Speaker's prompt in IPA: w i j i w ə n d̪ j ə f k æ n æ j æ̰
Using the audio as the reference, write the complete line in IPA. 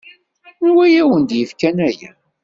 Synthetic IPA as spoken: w æ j æ w ə n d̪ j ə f k æ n æ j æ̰